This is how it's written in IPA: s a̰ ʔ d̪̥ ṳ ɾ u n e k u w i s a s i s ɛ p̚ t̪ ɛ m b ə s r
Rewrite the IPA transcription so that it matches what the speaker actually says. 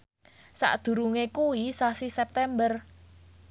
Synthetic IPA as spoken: s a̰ ʔ d̪̥ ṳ ɾ u ŋ e k u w i s a s i s ɛ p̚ t̪ ɛ m b ə r